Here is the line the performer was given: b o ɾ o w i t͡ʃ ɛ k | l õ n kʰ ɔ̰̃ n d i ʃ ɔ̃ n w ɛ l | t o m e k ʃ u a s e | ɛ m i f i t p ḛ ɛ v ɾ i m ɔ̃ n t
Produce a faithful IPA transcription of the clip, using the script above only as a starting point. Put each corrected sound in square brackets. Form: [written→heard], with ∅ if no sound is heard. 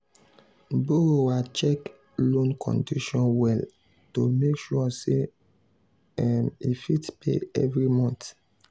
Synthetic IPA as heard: b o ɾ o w [i→a] t͡ʃ ɛ k | l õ n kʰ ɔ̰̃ n d i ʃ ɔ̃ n w ɛ l | t o m e k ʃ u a s e | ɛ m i f i t p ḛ ɛ v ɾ i m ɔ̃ n t